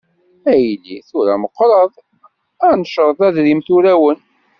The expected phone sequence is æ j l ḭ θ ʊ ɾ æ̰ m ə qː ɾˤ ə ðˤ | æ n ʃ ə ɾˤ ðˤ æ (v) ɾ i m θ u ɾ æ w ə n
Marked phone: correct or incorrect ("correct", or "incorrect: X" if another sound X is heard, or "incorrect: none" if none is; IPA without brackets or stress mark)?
incorrect: ð